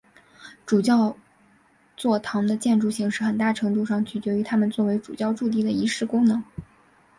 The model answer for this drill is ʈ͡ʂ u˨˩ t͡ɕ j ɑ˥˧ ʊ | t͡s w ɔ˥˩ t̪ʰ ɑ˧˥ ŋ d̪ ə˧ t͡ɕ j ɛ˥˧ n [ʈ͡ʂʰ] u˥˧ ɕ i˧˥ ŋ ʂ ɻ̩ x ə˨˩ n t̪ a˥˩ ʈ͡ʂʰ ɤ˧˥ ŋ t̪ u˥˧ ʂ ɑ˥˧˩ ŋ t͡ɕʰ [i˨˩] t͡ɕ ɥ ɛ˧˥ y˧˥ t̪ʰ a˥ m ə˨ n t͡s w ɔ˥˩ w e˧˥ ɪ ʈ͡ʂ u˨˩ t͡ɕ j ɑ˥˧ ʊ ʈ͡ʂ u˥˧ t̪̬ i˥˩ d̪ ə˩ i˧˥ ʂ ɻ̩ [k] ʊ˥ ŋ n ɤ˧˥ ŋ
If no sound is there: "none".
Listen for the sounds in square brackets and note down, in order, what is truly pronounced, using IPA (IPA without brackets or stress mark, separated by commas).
ʈ͡ʂ, y˨˩, k